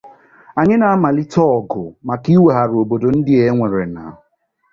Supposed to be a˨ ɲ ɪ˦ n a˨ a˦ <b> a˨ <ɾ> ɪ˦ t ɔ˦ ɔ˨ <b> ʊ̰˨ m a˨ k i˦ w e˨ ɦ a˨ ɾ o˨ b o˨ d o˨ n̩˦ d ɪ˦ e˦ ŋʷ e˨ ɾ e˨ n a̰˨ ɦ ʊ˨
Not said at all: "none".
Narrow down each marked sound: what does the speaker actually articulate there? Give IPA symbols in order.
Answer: m, l, ɡ

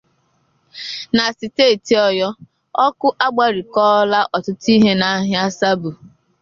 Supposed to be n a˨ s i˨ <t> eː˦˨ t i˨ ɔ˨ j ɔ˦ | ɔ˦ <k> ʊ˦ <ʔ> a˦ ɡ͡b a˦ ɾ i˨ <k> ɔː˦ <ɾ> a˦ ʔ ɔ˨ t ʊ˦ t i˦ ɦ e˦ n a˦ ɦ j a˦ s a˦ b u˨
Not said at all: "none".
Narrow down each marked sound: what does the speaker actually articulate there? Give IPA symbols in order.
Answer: t, k, ʔ, k, l

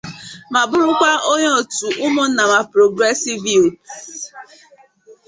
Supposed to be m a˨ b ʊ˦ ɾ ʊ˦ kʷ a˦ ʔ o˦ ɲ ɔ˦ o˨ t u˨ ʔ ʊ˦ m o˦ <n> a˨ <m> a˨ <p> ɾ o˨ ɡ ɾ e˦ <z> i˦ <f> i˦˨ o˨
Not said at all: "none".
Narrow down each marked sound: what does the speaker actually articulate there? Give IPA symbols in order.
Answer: n, m, p, s, v

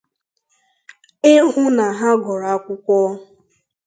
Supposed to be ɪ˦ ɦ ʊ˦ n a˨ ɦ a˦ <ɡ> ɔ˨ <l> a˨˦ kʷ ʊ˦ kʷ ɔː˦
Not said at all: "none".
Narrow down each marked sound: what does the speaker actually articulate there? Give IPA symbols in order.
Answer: ɡ, ɾ

